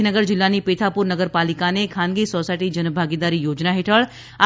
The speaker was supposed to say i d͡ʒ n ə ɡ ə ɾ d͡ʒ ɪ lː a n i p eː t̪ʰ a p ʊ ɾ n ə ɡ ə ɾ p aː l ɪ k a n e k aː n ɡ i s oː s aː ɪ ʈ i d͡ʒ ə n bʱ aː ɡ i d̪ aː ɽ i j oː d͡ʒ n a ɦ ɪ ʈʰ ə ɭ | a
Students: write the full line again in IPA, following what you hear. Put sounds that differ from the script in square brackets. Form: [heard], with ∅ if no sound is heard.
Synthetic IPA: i [∅] n ə ɡ ə ɾ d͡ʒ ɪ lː a n i p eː t̪ʰ a p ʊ ɾ n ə ɡ ə ɾ p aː l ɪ k a n e [kʰ] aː n ɡ i s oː s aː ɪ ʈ i d͡ʒ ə n bʱ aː ɡ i d̪ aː [ɾ] i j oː d͡ʒ n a ɦ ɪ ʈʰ ə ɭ | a

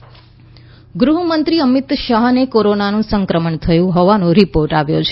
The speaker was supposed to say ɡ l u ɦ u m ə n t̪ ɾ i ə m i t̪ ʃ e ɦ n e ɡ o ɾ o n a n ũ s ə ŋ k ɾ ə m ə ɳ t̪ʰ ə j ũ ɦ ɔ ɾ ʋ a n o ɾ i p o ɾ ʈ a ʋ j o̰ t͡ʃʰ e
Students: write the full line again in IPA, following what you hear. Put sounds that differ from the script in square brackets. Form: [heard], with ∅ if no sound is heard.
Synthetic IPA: ɡ [ɾ] u ɦ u m ə n t̪ ɾ i ə m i t̪ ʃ [a] ɦ n e [k] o ɾ o n a n ũ s ə ŋ k ɾ ə m ə ɳ t̪ʰ ə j ũ ɦ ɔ [∅] ʋ a n o ɾ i p o ɾ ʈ a ʋ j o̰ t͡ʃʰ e

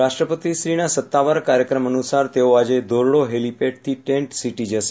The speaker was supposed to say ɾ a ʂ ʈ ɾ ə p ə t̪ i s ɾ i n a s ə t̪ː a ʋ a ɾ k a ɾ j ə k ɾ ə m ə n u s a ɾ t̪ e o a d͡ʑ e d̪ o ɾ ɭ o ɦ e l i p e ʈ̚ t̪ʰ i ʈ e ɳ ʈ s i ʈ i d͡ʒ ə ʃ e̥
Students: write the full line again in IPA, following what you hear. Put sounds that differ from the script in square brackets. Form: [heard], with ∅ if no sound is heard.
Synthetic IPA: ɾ a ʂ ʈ ɾ ə p ə t̪ i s ɾ i n a s ə t̪ː a ʋ a ɾ k a ɾ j ə k ɾ ə m ə n u s a ɾ t̪ e o a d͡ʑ e d̪ o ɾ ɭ o ɦ e l i p e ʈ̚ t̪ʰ i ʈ e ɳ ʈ s i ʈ i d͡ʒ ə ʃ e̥

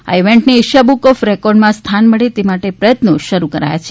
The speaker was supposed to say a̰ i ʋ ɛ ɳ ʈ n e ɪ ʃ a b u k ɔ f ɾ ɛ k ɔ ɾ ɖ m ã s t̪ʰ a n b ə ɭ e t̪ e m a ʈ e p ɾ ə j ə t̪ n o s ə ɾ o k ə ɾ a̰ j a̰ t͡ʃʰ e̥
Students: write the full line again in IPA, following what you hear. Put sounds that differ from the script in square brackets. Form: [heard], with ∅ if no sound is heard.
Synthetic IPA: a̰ i ʋ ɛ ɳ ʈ n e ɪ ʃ a b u k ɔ f ɾ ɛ k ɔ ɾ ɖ m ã s t̪ʰ a n [m] ə ɭ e t̪ e m a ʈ e p ɾ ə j ə t̪ n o [ʃ] ə ɾ [u] k ə ɾ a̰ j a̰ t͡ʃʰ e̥

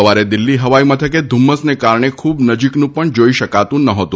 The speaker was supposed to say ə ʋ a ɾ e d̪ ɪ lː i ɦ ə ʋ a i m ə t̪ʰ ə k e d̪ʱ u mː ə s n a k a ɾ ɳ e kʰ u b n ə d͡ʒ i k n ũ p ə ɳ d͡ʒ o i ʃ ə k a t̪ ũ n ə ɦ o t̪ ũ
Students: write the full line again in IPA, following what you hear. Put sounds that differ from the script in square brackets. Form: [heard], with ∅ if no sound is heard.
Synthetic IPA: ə ʋ a ɾ e d̪ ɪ lː i ɦ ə ʋ a i m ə t̪ʰ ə k e d̪ʱ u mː ə s n [e] k a ɾ ɳ e kʰ u b n ə d͡ʒ i k n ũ p ə ɳ d͡ʒ o i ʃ ə k a t̪ ũ n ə ɦ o t̪ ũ

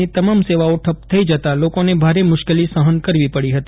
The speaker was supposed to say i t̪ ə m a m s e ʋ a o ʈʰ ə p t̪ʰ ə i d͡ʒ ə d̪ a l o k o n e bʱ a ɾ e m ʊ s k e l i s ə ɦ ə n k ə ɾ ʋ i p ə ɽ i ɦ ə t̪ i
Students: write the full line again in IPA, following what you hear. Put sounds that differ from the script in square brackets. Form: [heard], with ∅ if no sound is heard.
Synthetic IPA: i t̪ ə m a m s e ʋ a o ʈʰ ə p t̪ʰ ə i d͡ʒ ə [t̪] a l o k o n e bʱ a ɾ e m ʊ [ʃ] k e l i s ə ɦ ə n k ə ɾ ʋ i p ə ɽ i ɦ ə t̪ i

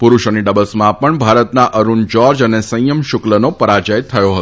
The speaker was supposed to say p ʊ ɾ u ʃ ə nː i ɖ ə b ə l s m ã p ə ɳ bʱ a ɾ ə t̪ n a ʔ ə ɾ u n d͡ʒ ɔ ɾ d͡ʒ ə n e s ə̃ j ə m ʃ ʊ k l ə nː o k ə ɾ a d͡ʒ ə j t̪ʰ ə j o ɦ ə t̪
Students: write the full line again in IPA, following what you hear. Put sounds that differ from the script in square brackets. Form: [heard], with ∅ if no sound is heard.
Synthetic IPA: p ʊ ɾ u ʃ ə [n] i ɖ ə b ə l s m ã p ə ɳ bʱ a ɾ ə t̪ n a ʔ ə ɾ u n d͡ʒ ɔ ɾ d͡ʒ ə n e s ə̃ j ə m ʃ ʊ k l ə [n] o [p] ə ɾ a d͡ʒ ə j t̪ʰ ə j o ɦ ə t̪

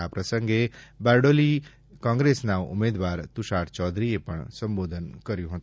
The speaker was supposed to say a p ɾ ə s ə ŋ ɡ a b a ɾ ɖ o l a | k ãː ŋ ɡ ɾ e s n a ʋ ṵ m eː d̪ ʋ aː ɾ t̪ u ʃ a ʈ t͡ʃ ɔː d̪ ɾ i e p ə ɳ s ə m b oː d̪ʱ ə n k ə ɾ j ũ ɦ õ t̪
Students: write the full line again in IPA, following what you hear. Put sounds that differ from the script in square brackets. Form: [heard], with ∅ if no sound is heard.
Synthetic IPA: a p ɾ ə s ə ŋ ɡ [e] b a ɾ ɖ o l [i] | k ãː ŋ ɡ ɾ e s n a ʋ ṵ m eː d̪ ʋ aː ɾ t̪ u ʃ a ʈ t͡ʃ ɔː d̪ ɾ i e p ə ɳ s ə m b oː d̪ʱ ə n k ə ɾ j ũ ɦ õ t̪

